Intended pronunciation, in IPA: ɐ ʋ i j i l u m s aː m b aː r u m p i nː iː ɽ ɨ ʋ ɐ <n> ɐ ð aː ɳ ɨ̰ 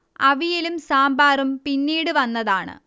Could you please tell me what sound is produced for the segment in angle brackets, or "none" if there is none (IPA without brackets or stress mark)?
nː